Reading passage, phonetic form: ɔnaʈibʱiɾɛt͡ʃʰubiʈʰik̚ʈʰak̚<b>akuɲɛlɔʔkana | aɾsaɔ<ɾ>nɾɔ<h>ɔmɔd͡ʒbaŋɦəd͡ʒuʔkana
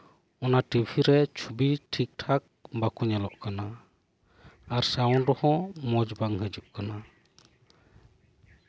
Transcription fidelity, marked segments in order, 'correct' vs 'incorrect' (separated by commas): correct, incorrect, correct